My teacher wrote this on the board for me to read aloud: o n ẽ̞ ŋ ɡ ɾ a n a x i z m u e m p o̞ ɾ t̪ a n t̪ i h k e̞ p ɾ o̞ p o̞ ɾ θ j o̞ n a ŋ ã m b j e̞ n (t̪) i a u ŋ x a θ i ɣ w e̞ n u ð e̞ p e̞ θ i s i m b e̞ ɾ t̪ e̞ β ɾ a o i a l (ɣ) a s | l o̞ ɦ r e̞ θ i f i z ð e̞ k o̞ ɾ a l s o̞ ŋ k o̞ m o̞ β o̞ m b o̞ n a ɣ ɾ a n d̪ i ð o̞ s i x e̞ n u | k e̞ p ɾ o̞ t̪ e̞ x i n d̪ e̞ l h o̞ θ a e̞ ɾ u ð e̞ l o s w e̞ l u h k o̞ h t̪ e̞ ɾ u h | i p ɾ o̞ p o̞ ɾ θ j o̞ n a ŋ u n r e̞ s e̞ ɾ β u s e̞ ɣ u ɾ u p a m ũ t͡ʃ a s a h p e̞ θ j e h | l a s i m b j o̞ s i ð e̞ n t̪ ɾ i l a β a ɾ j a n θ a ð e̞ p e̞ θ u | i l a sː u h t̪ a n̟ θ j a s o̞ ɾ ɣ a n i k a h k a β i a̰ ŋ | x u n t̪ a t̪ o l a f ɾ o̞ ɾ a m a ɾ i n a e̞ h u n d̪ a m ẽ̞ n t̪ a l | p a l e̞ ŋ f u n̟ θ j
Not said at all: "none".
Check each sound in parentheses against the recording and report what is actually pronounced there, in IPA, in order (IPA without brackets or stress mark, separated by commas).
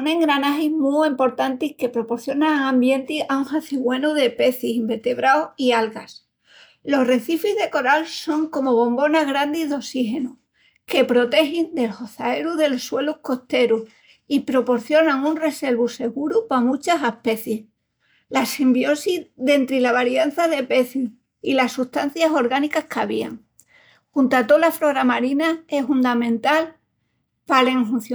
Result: t̪, ɣ